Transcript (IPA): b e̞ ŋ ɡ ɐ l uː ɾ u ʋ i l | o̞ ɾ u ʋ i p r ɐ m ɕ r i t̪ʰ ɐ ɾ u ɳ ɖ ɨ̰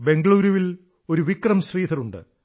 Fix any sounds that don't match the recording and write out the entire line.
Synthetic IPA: b e̞ ŋ ɡ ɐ ɭ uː ɾ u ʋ i l | o̞ ɾ u ʋ i k r ɐ m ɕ r iː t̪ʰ ɐ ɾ u ɳ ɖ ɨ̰